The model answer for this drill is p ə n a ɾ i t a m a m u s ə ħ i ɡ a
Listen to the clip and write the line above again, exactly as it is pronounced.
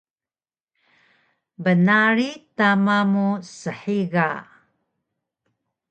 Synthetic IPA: b ə n a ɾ i t a m a m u s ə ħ i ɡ a